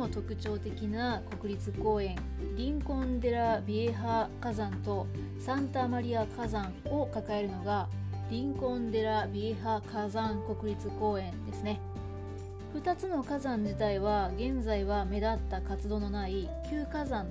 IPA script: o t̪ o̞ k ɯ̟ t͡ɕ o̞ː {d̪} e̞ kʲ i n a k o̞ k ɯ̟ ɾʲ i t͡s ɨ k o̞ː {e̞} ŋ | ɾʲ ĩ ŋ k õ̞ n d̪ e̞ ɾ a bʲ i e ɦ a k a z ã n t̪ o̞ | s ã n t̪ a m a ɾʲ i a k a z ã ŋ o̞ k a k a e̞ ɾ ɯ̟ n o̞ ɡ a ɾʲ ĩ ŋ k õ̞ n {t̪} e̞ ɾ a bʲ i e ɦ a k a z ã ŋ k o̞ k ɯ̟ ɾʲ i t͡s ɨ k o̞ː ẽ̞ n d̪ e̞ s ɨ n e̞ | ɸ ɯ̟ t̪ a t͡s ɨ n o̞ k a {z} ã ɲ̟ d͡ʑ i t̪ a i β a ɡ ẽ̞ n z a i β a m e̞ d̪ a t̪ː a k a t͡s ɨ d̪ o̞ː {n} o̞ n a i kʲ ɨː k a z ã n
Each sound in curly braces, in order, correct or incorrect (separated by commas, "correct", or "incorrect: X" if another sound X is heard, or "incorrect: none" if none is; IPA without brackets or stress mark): incorrect: t̪, incorrect: ẽ̞, incorrect: d̪, correct, correct